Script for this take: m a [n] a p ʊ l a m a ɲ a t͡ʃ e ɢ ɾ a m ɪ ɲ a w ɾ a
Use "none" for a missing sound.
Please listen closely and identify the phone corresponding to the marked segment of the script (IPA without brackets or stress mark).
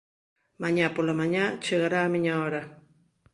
ɲ